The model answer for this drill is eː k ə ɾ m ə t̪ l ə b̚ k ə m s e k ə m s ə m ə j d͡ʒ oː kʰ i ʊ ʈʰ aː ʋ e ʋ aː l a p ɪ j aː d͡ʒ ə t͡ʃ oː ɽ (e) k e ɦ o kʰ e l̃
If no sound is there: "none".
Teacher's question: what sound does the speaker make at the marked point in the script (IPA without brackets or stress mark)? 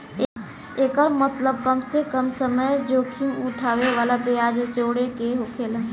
e